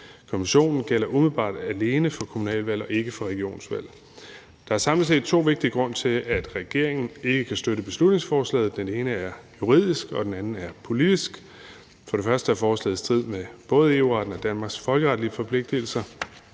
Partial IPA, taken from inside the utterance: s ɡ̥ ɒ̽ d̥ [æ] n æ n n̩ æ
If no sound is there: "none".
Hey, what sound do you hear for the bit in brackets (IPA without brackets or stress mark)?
e